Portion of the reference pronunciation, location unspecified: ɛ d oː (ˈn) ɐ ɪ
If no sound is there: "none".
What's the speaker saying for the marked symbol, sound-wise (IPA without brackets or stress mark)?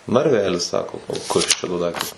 d